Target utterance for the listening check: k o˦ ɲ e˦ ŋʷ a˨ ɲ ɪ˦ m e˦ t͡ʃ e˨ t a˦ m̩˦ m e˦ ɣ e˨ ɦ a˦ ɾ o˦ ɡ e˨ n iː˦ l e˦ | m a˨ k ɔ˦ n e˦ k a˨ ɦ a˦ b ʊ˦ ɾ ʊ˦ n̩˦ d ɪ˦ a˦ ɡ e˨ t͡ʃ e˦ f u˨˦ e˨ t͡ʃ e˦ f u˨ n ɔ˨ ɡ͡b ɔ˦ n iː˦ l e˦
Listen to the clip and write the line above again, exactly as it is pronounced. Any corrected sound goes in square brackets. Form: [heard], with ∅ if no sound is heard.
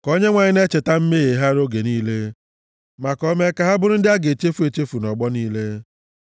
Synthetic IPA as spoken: k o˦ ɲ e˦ ŋʷ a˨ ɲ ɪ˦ [n] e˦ t͡ʃ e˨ t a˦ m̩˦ m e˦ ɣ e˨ ɦ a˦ ɾ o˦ ɡ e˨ n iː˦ l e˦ | m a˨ k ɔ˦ [m] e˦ k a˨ ɦ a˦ b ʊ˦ ɾ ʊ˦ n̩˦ d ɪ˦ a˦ ɡ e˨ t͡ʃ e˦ f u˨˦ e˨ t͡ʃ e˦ f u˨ n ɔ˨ ɡ͡b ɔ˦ n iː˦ l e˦